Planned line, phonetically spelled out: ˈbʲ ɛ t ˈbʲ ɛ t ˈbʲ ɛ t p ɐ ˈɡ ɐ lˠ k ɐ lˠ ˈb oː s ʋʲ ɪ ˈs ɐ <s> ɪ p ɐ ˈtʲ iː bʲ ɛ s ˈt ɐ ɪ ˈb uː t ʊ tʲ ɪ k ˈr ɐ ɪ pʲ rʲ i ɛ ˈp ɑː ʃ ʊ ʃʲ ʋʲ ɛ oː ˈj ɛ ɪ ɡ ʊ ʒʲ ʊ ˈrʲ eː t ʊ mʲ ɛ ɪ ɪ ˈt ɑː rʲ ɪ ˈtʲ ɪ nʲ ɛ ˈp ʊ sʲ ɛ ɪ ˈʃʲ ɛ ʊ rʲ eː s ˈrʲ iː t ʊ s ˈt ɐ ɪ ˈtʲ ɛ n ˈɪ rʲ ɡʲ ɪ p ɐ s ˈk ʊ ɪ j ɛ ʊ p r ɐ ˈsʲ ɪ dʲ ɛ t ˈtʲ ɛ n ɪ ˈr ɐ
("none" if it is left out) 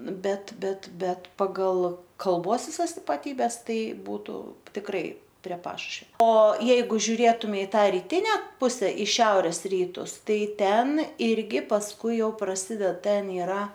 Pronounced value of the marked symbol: s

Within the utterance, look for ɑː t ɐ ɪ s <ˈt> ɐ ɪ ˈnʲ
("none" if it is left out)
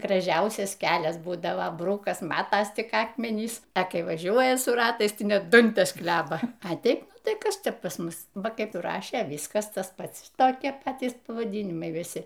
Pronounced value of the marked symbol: t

